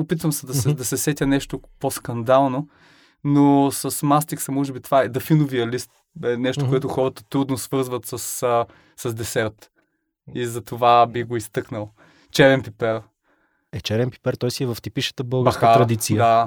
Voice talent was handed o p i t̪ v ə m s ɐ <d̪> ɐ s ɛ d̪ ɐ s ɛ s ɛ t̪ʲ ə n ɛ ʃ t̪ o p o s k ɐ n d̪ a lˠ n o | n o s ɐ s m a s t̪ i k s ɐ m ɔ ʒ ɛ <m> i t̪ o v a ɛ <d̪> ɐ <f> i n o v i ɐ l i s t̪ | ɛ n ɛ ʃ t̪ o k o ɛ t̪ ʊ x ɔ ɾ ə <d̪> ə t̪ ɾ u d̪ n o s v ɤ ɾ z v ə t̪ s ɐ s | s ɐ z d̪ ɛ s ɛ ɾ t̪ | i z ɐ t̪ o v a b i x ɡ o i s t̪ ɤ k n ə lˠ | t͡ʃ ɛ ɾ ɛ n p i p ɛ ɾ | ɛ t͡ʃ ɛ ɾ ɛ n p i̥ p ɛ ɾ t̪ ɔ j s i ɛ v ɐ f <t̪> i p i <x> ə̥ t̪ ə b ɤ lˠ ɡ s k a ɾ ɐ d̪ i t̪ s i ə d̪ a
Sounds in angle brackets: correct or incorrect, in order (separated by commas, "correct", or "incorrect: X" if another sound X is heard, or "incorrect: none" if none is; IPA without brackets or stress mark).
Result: correct, incorrect: b, correct, correct, incorrect: t̪, correct, incorrect: ʃ